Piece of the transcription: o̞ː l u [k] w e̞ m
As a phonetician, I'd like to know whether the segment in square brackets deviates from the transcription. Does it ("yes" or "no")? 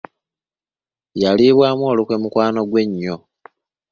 no